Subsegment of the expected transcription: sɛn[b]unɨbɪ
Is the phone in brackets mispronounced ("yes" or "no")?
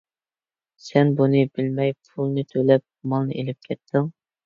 no